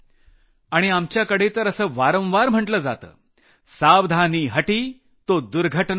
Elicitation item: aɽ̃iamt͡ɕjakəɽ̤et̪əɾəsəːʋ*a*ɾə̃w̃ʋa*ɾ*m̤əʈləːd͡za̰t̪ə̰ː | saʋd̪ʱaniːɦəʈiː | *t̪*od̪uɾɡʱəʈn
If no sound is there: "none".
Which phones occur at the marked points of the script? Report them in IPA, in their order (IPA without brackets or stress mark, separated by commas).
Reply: a, ɾ, t̪